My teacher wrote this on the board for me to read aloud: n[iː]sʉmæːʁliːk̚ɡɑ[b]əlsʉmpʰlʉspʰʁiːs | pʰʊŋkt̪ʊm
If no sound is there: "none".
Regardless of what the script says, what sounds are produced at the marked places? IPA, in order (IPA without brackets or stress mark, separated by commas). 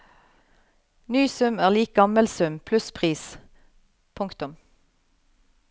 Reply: yː, m